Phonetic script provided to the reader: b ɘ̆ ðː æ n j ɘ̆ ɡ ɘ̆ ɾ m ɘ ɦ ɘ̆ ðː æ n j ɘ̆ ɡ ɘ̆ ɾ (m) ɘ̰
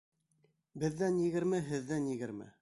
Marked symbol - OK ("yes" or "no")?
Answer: yes